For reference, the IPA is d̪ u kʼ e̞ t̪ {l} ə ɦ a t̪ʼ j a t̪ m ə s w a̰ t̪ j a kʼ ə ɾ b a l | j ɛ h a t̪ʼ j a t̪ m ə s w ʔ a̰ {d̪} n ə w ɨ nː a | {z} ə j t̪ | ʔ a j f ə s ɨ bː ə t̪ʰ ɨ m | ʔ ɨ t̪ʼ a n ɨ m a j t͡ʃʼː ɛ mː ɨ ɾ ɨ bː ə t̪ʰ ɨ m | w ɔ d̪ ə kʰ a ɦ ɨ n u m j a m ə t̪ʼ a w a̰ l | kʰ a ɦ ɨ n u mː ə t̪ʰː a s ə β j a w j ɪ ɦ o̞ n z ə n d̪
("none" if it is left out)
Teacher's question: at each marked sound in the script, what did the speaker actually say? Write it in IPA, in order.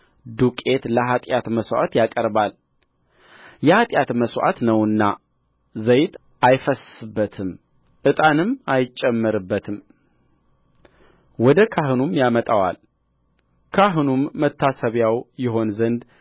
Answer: l, t̪, z

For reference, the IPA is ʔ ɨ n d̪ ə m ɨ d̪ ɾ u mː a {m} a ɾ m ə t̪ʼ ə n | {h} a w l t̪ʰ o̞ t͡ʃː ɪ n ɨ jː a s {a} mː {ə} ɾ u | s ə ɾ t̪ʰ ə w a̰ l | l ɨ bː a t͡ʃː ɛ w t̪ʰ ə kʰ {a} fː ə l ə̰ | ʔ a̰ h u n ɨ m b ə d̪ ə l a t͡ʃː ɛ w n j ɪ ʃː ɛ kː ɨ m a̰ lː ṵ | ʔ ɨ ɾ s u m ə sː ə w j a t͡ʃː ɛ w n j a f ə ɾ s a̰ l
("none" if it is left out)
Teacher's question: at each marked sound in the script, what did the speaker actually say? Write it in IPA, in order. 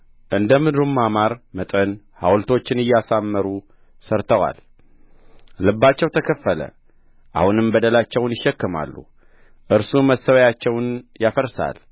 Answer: m, h, a, ə, ə

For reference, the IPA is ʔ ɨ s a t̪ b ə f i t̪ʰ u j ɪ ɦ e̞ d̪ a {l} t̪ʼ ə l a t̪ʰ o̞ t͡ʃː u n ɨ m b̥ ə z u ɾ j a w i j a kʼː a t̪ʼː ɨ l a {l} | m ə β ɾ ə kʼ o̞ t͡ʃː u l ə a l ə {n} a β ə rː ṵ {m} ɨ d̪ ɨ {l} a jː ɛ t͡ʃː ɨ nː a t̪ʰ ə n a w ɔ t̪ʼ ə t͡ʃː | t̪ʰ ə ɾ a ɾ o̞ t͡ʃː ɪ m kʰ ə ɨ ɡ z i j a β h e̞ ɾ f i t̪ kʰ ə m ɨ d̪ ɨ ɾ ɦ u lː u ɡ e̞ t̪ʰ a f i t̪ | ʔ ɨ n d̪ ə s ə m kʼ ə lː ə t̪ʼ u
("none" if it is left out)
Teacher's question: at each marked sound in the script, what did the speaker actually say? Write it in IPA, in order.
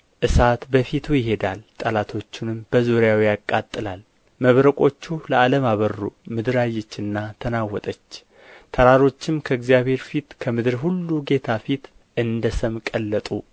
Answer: l, l, m, m, ɾ

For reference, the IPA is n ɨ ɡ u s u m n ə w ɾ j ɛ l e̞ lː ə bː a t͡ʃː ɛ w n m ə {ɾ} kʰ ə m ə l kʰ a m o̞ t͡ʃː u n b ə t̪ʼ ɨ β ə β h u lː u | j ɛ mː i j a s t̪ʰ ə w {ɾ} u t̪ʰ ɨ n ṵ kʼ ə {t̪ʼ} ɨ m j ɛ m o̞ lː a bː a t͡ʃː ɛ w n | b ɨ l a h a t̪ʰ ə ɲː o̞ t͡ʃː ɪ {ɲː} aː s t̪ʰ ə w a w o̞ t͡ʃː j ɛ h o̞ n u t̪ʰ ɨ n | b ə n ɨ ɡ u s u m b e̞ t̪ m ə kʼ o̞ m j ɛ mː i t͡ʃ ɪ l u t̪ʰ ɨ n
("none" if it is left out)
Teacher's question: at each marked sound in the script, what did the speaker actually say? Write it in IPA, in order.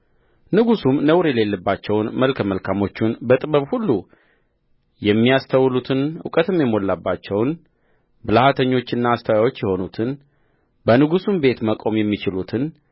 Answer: l, l, t̪, nː

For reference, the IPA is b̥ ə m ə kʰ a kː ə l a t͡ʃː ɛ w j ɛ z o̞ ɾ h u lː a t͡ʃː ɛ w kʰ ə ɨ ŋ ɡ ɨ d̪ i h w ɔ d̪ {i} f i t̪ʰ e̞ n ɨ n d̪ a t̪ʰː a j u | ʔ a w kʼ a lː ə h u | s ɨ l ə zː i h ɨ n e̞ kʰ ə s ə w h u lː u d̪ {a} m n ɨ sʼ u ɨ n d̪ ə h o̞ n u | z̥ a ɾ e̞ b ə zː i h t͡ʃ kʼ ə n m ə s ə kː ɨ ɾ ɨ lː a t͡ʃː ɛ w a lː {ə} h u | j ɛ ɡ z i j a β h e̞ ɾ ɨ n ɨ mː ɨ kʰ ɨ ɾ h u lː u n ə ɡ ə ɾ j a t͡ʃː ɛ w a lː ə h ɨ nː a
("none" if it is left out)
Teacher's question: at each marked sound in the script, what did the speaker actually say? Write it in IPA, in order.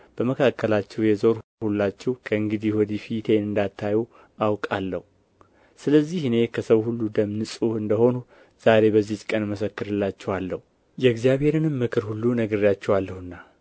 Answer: i, ə, ə

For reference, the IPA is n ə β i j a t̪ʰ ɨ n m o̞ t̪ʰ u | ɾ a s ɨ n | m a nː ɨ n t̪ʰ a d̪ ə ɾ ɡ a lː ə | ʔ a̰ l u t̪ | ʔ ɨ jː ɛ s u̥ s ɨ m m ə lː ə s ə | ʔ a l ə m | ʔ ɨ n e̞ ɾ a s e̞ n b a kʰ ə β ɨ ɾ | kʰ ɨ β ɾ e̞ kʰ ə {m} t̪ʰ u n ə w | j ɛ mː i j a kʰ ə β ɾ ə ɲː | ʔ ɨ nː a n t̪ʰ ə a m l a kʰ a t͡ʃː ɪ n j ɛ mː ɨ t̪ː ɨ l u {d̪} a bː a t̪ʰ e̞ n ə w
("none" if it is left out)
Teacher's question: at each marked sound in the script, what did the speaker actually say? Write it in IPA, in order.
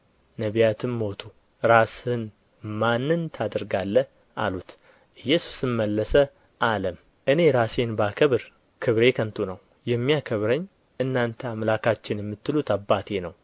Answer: n, t̪

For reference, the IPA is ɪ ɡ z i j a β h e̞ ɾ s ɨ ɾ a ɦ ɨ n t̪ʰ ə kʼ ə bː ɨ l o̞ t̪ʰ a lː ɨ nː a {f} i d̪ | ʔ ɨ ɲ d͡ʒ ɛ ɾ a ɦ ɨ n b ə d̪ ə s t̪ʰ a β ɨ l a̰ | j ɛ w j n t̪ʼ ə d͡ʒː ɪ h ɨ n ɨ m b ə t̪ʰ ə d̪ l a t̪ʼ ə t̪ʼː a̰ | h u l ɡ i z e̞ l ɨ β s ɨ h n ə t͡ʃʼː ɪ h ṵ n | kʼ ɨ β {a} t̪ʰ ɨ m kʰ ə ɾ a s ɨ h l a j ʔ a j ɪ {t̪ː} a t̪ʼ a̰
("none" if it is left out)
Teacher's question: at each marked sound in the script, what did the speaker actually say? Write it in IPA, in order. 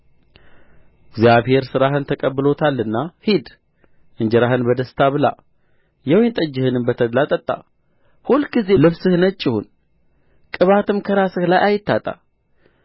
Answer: h, a, t̪ː

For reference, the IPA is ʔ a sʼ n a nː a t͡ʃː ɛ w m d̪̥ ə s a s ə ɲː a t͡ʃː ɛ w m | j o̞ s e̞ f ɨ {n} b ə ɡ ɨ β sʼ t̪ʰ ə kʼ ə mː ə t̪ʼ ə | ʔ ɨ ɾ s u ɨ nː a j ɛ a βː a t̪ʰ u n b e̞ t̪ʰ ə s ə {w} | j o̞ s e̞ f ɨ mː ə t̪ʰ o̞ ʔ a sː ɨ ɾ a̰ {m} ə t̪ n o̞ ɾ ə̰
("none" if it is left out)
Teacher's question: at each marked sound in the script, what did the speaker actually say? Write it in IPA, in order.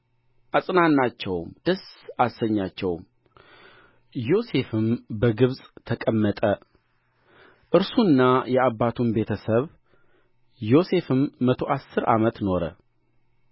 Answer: m, β, m

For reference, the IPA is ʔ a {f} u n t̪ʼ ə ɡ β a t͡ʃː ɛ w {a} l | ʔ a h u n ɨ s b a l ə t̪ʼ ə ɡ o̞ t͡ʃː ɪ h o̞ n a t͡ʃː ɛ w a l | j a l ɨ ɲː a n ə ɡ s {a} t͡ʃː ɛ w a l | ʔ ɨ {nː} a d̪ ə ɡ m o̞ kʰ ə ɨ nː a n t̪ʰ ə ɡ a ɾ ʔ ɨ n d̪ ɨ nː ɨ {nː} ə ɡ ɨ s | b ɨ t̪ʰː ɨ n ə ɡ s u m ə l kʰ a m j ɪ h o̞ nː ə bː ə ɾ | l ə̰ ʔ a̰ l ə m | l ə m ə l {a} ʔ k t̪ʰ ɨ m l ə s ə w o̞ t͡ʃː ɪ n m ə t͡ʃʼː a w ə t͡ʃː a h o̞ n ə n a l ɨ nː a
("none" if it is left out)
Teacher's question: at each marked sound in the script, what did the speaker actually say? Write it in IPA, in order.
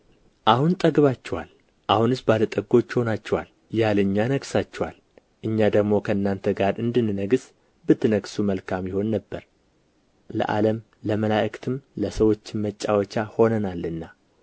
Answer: h, a, a, ɲː, n, a

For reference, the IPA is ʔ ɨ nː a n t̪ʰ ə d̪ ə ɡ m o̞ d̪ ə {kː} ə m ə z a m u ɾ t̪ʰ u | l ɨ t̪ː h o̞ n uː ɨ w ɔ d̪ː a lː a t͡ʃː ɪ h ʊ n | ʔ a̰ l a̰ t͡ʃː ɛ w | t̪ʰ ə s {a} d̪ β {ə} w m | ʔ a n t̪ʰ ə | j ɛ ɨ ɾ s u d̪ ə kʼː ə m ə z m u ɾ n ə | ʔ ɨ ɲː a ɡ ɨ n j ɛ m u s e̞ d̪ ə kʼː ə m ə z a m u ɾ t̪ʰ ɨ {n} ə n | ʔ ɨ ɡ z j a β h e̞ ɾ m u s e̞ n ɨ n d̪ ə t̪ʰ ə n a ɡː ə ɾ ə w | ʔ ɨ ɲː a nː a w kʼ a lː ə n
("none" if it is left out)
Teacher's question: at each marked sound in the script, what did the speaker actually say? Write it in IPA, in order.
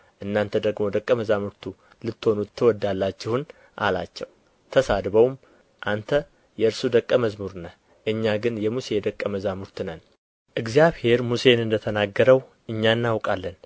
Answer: kʼː, a, ə, n

